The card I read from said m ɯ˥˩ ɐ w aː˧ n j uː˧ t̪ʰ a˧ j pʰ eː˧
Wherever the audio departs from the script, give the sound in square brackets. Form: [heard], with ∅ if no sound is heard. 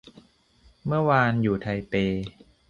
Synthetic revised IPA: m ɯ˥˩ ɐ w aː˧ n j [uː˨˩] t̪ʰ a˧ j [p] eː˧

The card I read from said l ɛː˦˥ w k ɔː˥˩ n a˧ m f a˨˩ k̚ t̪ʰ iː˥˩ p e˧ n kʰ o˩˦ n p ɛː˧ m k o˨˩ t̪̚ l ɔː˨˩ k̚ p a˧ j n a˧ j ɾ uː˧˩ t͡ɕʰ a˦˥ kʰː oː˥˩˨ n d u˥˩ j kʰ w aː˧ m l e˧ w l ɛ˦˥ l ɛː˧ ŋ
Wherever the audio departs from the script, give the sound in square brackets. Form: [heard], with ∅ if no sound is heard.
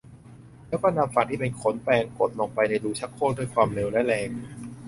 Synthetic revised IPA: l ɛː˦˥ w k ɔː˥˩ n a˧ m f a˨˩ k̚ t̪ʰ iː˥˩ p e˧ n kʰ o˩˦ n p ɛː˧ [ŋ] k o˨˩ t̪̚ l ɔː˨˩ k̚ p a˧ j n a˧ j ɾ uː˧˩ t͡ɕʰ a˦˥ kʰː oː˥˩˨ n d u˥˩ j kʰ w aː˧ m l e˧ w l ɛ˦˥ l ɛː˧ ŋ

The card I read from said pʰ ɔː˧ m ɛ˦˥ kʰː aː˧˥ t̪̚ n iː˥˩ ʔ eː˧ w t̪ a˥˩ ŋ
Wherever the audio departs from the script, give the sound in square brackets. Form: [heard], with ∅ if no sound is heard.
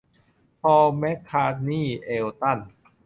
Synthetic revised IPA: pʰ ɔː˧ m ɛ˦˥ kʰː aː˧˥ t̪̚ n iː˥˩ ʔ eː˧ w t̪ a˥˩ [n]

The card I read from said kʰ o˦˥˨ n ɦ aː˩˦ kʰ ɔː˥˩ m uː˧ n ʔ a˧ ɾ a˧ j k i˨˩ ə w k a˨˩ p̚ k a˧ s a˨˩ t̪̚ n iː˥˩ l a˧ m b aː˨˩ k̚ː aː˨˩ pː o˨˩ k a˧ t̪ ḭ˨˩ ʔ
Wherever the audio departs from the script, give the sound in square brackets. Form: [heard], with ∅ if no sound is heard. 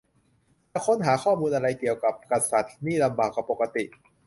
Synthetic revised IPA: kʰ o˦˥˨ n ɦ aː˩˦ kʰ ɔː˥˩ m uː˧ n ʔ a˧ ɾ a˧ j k i˨˩ ə w k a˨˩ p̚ k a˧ s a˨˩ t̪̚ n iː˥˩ l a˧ m b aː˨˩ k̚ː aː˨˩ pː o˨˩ k a˧ t̪ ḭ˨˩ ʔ

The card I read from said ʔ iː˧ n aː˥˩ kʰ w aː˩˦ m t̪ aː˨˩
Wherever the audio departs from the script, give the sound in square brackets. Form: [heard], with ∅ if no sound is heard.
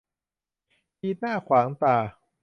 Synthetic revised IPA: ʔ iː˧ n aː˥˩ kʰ w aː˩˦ [ŋ] t̪ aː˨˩

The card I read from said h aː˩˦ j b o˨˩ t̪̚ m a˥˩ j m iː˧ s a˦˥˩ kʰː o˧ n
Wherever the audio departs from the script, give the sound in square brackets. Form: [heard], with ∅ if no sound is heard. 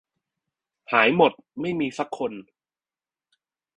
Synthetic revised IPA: h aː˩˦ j [m] o˨˩ t̪̚ m a˥˩ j m iː˧ s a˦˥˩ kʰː o˧ n

